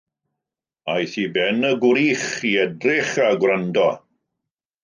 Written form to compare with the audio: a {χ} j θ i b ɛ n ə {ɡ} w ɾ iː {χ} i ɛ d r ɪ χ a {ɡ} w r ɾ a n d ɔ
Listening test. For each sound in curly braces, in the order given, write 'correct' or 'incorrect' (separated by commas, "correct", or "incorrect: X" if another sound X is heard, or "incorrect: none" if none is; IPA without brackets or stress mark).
incorrect: none, correct, correct, correct